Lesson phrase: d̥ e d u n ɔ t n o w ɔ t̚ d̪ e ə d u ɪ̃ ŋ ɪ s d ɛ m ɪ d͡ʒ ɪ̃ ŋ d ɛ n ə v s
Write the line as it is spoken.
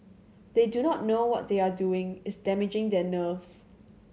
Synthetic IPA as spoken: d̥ e d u n ɔ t n o w ɔ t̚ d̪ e a d u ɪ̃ ŋ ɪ s d ɛ m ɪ d͡ʒ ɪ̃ ŋ d ɛ n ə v s